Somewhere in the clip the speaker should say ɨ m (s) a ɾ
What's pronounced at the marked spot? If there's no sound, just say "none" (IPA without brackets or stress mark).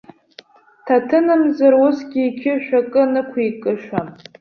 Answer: z